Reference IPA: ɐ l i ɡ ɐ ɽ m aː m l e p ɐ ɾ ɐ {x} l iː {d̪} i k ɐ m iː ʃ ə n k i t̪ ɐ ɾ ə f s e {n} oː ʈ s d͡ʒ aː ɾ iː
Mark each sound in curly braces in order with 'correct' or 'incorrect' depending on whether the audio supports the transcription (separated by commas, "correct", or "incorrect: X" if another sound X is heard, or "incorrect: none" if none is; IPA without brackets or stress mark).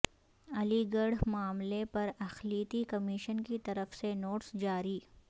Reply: correct, incorrect: t̪, correct